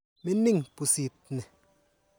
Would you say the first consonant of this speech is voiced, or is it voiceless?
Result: voiced